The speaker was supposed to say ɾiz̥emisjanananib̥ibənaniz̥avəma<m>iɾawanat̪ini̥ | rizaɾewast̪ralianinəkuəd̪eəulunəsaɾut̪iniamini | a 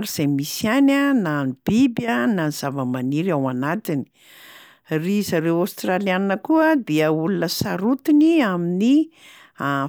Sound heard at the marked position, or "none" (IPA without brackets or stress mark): n